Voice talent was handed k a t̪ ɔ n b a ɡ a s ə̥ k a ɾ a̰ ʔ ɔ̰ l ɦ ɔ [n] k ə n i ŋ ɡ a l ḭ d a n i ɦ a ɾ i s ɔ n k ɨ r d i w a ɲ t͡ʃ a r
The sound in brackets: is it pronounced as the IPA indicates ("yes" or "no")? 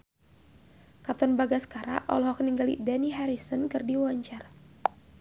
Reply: no